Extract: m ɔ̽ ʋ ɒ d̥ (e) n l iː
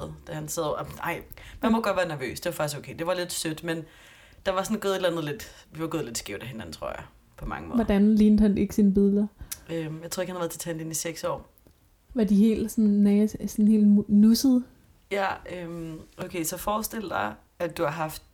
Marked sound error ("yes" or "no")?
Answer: yes